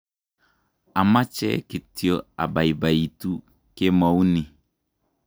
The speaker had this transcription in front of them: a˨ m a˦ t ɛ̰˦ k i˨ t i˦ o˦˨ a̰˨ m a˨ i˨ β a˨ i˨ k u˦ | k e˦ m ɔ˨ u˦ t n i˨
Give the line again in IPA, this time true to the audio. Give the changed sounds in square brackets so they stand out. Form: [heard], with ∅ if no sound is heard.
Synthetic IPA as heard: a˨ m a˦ [t͡ʃ] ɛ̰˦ k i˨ t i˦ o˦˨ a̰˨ [b] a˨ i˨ [b] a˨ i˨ [t] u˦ | k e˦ m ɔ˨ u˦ [∅] n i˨